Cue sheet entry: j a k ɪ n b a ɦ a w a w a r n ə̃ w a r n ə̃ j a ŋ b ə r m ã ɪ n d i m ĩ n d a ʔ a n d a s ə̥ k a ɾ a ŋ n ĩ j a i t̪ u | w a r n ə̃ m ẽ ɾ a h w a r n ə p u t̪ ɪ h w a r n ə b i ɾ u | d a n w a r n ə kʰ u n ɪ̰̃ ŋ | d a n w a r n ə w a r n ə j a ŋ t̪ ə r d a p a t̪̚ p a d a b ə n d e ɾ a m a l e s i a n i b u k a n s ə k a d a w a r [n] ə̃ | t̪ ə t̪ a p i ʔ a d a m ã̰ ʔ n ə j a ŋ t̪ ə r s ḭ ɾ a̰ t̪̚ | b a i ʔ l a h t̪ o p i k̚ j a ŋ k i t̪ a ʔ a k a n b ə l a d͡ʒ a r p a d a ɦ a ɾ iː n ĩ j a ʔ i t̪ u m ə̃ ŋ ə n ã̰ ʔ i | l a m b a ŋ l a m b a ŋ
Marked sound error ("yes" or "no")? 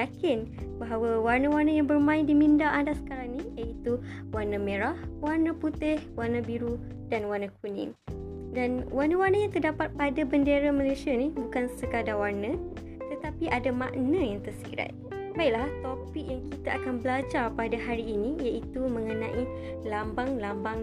no